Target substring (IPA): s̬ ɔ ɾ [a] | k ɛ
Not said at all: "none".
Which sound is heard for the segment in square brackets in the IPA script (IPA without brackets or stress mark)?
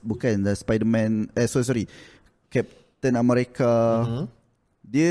i